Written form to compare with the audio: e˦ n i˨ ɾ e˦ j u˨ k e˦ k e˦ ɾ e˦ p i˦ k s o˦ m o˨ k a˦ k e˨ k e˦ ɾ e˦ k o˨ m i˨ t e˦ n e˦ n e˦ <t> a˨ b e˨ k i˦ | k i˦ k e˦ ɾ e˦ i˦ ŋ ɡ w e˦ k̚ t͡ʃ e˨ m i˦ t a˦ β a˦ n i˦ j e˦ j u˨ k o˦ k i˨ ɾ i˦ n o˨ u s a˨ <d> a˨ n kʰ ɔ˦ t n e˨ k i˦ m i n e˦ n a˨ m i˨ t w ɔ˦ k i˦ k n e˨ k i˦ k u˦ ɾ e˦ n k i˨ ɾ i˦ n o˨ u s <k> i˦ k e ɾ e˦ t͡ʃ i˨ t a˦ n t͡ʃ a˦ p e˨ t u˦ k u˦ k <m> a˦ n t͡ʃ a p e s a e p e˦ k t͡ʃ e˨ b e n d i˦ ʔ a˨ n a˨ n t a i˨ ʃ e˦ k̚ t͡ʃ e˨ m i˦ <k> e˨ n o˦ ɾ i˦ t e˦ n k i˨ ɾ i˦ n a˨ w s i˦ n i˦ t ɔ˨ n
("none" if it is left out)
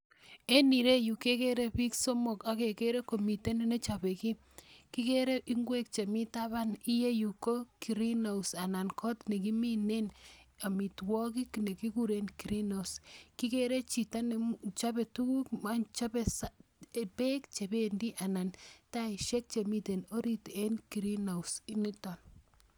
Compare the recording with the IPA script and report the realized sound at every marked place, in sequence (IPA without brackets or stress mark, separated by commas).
t͡ʃ, n, k, m, t